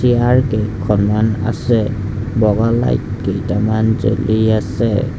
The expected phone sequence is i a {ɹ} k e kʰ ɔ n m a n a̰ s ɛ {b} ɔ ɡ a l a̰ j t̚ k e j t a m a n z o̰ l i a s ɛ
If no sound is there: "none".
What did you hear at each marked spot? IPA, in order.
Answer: ɹ, b

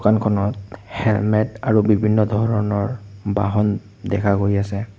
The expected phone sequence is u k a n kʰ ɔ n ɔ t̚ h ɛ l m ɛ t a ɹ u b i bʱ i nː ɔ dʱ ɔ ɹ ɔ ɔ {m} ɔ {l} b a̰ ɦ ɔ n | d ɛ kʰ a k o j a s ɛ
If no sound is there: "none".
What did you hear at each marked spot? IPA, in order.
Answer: n, ɹ

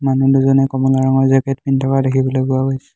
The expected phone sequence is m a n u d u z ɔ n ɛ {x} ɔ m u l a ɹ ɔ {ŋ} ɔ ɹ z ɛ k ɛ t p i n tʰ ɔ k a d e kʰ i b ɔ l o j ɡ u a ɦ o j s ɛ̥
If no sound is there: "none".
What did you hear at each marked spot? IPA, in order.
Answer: k, ŋ

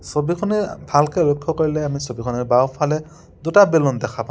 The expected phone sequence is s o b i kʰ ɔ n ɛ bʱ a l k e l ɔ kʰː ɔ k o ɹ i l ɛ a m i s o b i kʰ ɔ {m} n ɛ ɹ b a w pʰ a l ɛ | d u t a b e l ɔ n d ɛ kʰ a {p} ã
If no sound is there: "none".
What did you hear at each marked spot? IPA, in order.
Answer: none, p

